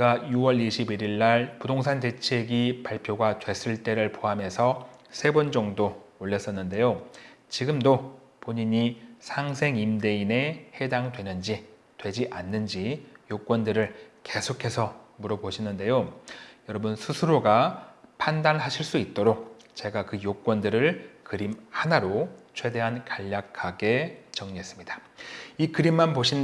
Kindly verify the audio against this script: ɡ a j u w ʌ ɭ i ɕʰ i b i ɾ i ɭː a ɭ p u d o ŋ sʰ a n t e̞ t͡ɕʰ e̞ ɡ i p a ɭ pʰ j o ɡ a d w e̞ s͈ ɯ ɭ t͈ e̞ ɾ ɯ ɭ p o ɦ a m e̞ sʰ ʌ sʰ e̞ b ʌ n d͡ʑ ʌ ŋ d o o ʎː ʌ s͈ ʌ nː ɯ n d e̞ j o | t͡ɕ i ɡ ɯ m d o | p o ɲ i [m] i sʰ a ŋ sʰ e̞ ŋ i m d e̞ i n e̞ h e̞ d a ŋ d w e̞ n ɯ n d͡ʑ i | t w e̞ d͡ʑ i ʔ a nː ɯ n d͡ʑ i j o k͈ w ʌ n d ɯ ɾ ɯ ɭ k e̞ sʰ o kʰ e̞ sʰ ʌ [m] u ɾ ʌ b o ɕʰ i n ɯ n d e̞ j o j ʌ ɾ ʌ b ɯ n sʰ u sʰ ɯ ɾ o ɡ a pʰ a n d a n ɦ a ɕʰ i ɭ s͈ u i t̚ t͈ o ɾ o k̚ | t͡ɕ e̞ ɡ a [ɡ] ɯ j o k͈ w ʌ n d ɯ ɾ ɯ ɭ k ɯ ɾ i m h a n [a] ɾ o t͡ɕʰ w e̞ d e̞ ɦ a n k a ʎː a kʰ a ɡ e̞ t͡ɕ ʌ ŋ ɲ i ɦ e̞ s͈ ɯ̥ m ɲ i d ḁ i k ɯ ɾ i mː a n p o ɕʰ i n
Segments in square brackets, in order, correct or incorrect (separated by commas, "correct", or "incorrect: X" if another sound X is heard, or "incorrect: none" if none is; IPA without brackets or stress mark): incorrect: ɲ, correct, incorrect: k, correct